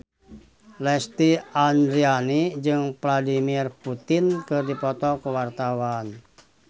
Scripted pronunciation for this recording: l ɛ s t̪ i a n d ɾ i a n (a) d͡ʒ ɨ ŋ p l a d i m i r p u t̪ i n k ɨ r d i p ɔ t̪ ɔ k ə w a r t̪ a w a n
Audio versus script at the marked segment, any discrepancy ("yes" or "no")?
yes